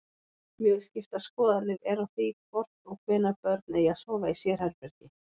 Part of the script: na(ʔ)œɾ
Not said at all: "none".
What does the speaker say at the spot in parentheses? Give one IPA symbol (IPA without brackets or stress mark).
p